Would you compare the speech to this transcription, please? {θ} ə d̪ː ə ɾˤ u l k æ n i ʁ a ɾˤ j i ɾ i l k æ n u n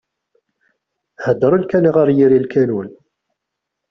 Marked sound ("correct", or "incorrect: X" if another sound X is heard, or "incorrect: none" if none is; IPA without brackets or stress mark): incorrect: h